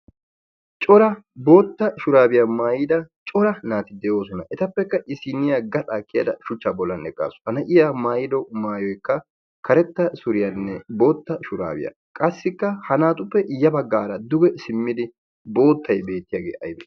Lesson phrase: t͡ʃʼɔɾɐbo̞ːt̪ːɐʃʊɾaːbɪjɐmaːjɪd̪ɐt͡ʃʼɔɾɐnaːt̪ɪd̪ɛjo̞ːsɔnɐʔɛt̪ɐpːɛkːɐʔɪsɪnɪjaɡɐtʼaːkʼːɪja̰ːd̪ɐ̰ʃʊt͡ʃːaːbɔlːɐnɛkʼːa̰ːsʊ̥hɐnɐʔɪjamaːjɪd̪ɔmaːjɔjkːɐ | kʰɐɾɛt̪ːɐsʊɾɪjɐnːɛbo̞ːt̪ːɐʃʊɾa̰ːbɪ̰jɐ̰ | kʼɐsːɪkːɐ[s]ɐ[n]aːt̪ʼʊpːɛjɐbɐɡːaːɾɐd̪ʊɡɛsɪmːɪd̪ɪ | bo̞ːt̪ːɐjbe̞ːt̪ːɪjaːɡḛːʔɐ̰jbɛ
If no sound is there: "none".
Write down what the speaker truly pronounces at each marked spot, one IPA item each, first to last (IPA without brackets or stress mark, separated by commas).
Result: h, n